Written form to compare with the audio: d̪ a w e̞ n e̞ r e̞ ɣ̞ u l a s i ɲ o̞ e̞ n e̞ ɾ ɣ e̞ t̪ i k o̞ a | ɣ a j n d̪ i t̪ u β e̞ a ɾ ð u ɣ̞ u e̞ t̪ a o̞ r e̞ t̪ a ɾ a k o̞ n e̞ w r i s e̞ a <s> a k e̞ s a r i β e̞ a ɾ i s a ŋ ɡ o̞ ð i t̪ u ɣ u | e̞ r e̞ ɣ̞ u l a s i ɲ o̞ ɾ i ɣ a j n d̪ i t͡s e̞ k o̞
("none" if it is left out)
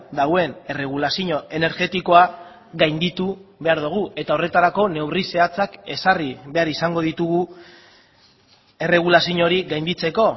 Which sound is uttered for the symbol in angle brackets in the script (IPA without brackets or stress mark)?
t͡s